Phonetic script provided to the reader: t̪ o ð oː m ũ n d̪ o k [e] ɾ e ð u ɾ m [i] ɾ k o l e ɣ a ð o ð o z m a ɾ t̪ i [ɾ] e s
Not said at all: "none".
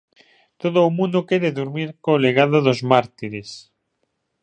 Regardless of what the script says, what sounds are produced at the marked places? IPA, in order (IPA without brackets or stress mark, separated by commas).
e, i, ɾ